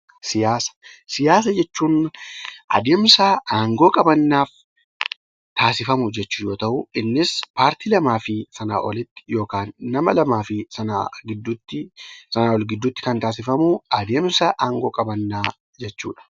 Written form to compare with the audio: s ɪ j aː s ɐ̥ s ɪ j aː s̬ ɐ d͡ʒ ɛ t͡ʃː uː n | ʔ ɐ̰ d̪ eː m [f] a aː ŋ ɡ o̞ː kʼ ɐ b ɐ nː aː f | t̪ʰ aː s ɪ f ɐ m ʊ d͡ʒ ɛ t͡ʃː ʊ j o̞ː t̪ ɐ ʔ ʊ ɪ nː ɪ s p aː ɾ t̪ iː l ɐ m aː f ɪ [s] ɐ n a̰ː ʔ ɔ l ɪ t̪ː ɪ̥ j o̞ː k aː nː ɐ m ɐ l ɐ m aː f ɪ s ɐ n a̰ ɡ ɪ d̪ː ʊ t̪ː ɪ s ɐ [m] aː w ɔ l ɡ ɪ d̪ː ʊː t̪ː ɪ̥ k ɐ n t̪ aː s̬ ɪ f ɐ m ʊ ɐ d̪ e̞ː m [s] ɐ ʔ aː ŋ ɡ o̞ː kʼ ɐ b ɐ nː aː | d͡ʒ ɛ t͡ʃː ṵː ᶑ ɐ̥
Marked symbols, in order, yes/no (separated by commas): no, yes, no, yes